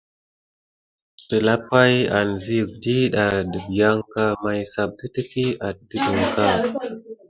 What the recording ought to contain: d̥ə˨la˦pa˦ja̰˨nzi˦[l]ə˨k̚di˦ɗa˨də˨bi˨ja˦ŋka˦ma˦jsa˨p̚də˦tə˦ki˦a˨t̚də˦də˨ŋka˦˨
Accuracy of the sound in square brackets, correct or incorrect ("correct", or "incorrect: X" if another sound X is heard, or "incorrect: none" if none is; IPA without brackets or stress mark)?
incorrect: none